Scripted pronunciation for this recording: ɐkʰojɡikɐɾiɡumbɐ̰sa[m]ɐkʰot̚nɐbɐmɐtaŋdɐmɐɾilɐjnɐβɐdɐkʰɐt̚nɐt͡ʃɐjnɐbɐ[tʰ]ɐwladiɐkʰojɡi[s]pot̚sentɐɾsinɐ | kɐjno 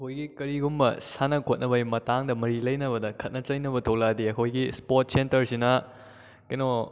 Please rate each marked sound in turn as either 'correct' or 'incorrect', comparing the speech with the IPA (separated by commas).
incorrect, correct, correct